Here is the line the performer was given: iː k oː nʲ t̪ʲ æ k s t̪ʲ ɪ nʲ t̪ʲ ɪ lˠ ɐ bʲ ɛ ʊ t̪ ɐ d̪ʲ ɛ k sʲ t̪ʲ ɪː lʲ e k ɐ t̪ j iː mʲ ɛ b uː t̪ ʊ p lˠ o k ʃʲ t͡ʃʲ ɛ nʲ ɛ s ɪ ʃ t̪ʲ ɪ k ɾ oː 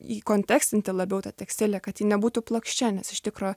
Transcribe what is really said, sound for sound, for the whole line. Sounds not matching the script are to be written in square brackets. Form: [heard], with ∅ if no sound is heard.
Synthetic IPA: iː k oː nʲ t̪ʲ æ k s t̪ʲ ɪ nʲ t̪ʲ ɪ lˠ ɐ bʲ ɛ ʊ t̪ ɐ [t̪ʲ] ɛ k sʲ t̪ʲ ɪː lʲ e k ɐ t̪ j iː [nʲ] ɛ b uː t̪ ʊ p lˠ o k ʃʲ t͡ʃʲ ɛ nʲ ɛ s ɪ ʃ t̪ʲ ɪ k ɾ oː